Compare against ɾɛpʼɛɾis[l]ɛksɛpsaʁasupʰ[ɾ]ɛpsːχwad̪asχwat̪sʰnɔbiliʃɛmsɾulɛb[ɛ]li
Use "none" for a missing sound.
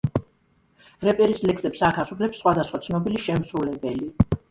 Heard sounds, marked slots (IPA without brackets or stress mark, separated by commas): l, l, ɛ